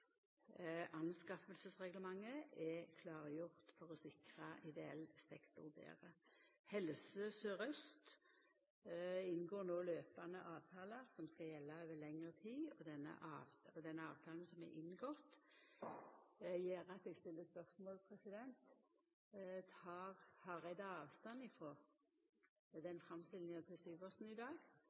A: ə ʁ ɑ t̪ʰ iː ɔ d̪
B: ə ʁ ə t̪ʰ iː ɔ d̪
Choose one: B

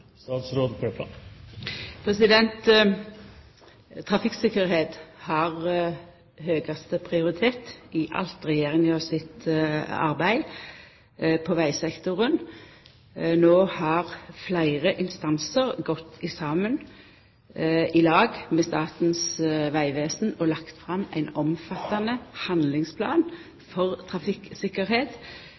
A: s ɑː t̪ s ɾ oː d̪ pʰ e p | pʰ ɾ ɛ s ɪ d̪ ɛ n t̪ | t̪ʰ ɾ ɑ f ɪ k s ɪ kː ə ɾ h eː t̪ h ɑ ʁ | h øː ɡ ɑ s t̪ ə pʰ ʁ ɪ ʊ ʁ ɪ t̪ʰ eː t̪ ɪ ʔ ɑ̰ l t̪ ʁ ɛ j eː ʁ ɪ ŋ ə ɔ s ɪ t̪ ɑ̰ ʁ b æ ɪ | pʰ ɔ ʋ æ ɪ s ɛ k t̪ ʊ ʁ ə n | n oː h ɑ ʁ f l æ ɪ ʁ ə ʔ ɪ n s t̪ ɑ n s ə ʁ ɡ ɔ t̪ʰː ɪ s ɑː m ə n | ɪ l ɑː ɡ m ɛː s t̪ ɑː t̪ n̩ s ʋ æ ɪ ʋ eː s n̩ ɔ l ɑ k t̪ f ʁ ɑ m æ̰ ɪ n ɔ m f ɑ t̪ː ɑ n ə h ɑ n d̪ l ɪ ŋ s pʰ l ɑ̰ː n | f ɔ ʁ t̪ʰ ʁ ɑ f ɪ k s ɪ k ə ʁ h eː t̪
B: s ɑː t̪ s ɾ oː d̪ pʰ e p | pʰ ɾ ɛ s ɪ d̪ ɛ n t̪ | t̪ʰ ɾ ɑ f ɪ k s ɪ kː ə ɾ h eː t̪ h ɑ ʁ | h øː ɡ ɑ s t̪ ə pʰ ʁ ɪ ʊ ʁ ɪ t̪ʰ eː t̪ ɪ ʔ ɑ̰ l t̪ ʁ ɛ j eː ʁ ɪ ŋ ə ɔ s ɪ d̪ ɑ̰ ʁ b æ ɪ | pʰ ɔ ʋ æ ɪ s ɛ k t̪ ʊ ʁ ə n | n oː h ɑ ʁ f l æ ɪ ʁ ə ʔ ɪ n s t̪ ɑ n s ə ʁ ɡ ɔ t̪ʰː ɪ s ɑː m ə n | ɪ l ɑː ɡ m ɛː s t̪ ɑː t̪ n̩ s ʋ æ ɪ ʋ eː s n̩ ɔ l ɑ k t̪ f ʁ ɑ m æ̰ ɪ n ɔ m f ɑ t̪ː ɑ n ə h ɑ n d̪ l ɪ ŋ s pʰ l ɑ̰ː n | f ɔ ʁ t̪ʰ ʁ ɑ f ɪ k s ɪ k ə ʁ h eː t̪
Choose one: A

